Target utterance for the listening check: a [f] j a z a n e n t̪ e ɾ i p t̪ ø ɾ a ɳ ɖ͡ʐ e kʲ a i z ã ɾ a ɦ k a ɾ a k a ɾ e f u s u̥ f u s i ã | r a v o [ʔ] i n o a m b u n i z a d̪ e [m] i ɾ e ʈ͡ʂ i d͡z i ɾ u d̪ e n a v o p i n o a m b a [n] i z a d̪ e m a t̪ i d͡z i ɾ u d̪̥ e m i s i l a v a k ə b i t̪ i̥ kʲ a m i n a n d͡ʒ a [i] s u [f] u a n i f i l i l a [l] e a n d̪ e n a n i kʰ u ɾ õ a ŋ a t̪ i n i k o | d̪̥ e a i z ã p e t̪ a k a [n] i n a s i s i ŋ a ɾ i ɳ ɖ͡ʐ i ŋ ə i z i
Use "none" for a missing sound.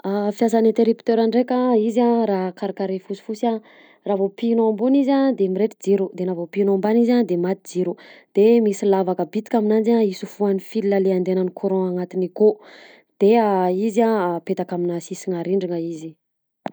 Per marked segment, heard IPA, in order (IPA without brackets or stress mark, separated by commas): f, p, m, n, i, f, l, m